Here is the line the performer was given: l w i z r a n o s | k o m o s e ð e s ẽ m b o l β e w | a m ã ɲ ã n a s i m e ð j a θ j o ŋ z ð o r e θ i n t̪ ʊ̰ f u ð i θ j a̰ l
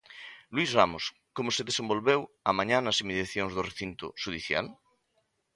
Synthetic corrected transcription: l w i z r a m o s | k o m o s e ð e s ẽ m b o l β e w | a m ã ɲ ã n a s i m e ð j a θ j o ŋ z ð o r e θ i n t̪ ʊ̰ ʃ u ð i θ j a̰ l